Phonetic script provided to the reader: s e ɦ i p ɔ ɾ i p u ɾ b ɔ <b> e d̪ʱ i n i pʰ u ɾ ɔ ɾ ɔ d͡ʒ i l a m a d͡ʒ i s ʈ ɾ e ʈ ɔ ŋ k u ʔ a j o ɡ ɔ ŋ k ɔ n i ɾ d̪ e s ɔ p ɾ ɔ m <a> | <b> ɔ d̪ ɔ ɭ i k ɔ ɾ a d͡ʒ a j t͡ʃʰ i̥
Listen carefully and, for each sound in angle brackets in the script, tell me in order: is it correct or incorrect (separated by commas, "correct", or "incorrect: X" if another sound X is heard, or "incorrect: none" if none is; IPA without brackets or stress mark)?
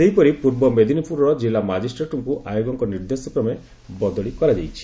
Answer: incorrect: m, incorrect: e, correct